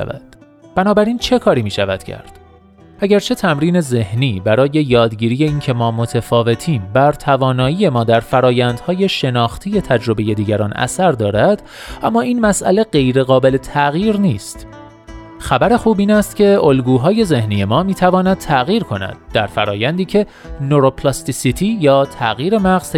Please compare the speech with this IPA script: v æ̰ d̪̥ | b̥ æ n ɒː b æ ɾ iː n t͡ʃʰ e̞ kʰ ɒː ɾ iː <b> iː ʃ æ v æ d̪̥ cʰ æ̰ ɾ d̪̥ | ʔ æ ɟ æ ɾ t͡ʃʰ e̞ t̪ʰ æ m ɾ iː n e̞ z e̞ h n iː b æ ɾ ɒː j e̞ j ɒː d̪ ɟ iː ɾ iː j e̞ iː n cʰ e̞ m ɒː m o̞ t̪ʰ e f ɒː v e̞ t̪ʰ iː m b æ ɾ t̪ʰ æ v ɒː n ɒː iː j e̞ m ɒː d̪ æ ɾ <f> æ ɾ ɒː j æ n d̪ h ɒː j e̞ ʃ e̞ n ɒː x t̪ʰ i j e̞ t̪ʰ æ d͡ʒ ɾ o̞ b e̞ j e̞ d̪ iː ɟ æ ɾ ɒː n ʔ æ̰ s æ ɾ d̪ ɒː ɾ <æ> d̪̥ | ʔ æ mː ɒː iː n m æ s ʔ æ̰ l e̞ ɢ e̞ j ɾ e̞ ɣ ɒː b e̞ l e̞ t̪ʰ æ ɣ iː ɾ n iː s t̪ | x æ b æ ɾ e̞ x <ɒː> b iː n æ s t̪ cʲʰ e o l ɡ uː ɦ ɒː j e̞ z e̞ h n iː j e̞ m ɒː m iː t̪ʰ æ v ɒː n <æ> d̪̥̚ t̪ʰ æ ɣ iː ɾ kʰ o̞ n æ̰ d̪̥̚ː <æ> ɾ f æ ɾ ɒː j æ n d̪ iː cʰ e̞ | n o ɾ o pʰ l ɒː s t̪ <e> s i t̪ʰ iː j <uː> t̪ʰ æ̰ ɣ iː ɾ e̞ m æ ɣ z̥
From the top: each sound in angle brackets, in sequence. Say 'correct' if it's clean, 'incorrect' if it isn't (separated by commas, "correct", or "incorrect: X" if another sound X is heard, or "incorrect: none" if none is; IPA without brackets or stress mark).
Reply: incorrect: m, correct, correct, incorrect: uː, correct, correct, incorrect: i, incorrect: ɒː